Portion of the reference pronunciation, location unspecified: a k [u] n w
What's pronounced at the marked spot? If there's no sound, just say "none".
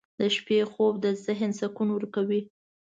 u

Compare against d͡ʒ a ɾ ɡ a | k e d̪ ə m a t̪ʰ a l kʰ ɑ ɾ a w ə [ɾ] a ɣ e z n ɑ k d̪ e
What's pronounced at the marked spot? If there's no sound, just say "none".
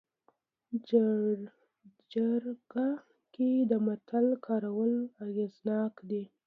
l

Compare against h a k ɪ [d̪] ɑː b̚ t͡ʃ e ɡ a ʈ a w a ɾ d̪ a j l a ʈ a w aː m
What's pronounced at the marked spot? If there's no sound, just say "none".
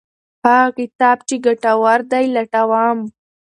t̪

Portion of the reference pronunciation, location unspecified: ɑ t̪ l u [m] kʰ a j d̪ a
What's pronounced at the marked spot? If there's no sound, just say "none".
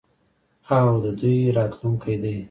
ŋ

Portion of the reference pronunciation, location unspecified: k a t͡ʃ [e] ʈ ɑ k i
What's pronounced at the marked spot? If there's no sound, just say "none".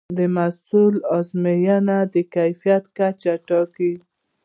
a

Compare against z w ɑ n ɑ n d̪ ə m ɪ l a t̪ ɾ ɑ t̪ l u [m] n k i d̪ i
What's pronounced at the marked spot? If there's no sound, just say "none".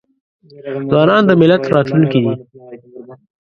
none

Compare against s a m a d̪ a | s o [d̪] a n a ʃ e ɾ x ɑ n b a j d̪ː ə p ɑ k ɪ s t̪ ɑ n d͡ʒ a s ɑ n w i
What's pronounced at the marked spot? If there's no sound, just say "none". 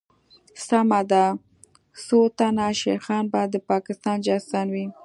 t̪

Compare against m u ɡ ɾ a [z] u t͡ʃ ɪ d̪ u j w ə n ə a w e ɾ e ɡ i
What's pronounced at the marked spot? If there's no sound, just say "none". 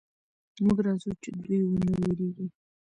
z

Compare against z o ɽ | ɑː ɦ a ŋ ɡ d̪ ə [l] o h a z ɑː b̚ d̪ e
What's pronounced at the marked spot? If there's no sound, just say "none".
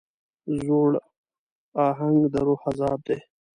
ɾ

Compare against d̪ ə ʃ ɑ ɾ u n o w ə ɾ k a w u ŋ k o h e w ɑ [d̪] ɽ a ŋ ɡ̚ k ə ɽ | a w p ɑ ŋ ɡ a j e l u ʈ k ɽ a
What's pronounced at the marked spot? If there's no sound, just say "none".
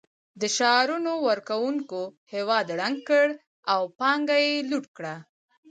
d̪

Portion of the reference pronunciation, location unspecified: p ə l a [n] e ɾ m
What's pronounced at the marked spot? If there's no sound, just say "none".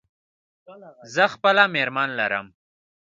m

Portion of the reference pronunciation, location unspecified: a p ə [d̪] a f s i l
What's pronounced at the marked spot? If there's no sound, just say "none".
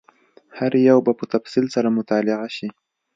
t̪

